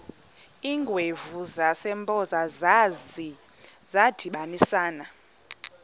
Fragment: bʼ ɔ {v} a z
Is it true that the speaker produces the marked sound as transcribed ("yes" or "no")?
no